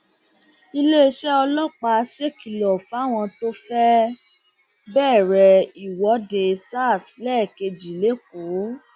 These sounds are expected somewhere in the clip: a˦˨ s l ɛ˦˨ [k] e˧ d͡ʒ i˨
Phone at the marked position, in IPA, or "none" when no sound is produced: k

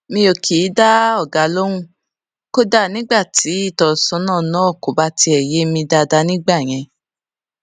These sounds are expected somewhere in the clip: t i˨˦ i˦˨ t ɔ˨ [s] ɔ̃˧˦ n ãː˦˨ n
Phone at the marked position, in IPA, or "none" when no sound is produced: s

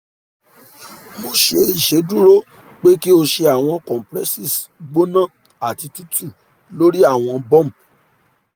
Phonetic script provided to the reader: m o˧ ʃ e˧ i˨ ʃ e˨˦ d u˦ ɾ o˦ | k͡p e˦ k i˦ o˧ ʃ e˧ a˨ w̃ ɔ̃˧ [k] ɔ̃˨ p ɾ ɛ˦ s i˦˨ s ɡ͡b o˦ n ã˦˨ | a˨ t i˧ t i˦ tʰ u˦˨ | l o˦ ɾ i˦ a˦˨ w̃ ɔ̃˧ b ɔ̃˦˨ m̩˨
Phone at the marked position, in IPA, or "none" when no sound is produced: k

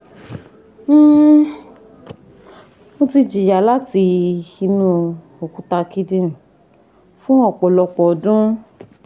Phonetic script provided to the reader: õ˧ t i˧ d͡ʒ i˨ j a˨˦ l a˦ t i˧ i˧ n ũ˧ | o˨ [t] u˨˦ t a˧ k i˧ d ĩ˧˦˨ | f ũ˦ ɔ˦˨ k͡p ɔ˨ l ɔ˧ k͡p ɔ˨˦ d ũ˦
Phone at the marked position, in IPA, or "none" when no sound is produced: k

